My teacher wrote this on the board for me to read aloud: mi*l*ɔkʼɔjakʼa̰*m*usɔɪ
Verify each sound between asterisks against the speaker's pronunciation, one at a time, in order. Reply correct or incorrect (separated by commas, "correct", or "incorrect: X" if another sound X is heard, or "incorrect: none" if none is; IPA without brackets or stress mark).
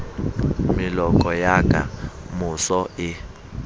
correct, correct